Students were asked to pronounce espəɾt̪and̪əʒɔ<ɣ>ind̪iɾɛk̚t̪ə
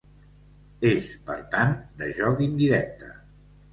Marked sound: correct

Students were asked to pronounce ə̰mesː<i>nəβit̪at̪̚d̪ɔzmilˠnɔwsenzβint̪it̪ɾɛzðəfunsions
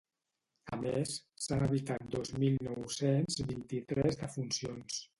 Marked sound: incorrect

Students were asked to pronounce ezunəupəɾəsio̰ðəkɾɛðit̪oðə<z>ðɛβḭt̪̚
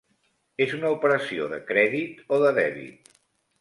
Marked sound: incorrect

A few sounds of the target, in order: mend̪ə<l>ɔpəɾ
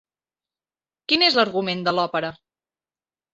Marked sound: correct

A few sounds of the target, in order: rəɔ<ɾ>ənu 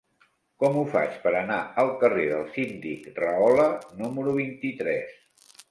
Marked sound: incorrect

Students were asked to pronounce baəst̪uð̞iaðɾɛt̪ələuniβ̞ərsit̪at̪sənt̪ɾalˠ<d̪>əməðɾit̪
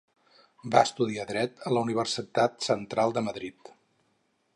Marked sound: correct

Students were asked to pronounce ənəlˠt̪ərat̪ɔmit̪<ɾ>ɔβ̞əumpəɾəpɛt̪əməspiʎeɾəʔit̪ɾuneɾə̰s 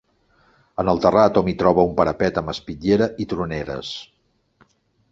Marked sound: correct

